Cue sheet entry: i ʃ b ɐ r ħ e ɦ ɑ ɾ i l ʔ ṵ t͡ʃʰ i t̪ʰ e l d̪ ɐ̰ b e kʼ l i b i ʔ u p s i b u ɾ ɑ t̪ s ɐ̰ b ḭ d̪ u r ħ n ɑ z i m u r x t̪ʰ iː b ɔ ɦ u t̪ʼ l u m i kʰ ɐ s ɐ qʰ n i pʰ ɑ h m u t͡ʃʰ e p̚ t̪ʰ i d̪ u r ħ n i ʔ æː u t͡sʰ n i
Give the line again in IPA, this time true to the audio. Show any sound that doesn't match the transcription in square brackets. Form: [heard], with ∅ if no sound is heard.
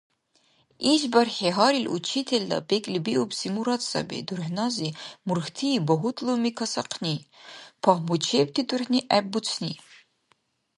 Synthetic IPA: i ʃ b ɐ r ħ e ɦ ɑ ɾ i l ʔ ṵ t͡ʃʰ i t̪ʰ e l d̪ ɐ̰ b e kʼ l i b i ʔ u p s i [m] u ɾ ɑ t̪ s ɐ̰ b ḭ d̪ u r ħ n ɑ z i m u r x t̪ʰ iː b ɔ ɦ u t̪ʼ l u m i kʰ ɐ s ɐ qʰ n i pʰ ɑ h m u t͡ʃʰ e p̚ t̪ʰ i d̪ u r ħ n i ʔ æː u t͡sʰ n i